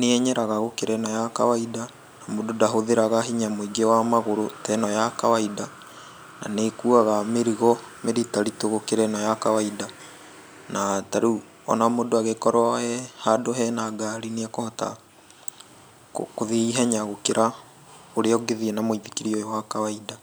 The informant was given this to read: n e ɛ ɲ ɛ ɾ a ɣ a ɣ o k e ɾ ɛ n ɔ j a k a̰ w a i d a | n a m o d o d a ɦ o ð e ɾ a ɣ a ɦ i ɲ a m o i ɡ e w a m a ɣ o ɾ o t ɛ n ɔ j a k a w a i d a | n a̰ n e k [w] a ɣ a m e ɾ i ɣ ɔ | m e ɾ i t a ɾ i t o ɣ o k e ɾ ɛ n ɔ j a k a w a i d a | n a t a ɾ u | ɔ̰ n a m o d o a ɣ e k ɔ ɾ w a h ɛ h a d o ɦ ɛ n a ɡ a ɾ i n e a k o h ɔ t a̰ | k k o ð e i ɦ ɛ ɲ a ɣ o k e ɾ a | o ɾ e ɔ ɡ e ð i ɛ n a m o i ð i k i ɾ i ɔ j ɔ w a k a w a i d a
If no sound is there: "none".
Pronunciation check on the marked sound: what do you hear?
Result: u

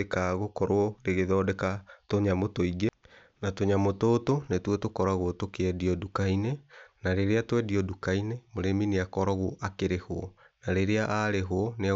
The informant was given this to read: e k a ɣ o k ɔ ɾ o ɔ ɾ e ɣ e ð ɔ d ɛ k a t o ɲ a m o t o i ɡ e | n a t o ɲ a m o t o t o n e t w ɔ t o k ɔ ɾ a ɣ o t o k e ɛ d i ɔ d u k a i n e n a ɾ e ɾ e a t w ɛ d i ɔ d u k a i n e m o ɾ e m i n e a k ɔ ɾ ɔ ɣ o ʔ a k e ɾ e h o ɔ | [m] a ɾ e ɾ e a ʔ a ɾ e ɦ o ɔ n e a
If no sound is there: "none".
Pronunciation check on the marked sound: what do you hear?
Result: n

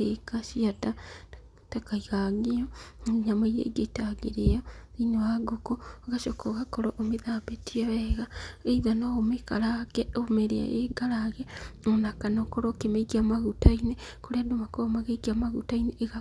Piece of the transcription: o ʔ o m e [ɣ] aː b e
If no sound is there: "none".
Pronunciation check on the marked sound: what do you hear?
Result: ð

